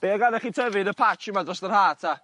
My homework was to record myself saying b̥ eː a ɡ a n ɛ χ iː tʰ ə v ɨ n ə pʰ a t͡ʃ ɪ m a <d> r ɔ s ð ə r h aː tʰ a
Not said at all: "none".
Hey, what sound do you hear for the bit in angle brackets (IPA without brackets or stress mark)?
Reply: d